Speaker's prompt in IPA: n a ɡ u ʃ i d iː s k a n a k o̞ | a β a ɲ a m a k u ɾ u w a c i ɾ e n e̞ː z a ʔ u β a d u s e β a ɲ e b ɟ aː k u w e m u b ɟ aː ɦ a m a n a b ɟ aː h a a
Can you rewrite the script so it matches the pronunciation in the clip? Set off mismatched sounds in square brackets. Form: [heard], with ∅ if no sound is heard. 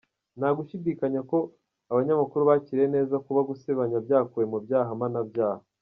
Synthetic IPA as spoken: n a ɡ u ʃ i d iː [∅] k a [ɲ] a k o̞ | a β a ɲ a m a k u ɾ u [β] a c i ɾ e n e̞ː z a [k] u β a [ɡ] u s e β a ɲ [a] b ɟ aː k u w e m u b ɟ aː ɦ a m a n a b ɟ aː h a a